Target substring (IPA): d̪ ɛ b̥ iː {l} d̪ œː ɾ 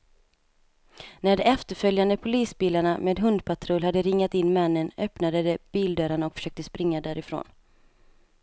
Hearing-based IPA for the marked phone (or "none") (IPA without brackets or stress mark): l